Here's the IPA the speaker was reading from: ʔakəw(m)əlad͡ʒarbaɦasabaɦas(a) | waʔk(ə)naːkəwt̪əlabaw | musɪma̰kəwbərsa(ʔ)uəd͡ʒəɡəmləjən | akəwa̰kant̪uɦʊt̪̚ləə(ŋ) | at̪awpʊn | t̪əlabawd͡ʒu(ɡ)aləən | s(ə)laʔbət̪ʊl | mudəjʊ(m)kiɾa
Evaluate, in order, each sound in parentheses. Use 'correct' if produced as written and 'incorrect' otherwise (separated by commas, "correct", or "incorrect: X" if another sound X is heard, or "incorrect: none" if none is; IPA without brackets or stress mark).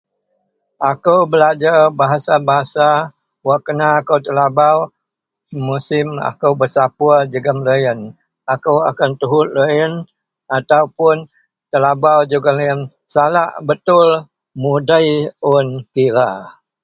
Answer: incorrect: b, correct, correct, incorrect: p, incorrect: n, correct, incorrect: a, incorrect: n